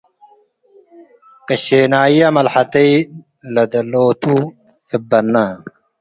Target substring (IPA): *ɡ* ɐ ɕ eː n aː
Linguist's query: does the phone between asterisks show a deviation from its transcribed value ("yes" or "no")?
yes